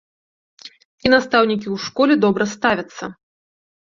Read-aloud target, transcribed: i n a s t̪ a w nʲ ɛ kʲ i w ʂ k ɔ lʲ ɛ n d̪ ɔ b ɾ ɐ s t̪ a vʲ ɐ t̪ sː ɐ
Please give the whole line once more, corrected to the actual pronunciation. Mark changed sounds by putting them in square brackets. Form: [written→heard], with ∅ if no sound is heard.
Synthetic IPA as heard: i n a s t̪ a w nʲ [ɛ→i] kʲ i w ʂ k ɔ lʲ ɛ [n→∅] d̪ ɔ b ɾ ɐ s t̪ a vʲ ɐ t̪ sː ɐ